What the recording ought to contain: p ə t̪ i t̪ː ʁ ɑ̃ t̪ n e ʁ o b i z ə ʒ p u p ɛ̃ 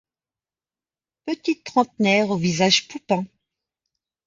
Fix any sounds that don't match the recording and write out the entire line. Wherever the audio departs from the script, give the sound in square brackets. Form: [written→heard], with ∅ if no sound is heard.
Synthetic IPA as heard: p ə t̪ i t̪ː [ʁ→χ] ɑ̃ t̪ n [e→ɛ] ʁ o [b→v] i z [ə→a] ʒ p u p ɛ̃